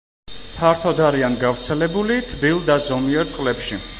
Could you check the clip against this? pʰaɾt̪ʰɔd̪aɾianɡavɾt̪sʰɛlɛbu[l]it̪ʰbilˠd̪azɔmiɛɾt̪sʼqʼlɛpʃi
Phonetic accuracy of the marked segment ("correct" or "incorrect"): correct